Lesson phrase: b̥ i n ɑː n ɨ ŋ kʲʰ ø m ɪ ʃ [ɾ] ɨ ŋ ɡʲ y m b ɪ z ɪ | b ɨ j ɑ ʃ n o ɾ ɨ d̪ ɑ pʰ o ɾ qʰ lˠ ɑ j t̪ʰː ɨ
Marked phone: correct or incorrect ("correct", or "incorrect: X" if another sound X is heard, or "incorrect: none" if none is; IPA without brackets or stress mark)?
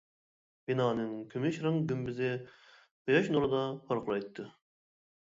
correct